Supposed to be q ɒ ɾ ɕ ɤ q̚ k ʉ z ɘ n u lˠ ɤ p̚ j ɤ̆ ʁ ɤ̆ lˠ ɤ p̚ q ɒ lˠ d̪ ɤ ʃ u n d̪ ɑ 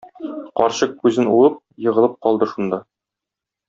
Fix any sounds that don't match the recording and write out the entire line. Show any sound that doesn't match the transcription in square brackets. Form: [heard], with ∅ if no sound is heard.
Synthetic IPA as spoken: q ɒ ɾ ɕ ɤ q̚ k ʉ z ɘ n u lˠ ɤ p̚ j ɤ̆ ʁ ɤ̆ lˠ ɤ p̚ q ɒ lˠ d̪ ɤ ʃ u n d̪ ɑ